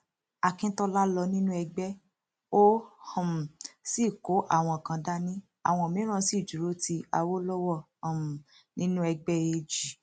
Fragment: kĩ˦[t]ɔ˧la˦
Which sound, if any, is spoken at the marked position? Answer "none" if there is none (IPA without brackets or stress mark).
t